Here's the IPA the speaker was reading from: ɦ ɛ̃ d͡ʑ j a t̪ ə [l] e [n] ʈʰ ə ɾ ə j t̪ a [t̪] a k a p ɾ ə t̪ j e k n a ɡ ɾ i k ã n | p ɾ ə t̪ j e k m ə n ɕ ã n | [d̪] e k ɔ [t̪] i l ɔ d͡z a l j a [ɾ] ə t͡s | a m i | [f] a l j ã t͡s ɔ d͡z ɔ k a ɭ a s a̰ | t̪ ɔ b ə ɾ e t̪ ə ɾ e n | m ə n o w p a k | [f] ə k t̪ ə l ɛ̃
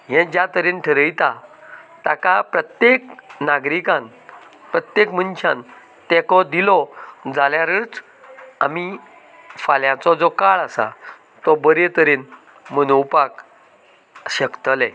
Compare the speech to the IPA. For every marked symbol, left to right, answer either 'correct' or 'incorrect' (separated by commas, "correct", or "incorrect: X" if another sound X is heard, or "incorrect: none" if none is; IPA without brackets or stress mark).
incorrect: ɾ, correct, correct, incorrect: t̪, incorrect: d̪, correct, correct, incorrect: ɕ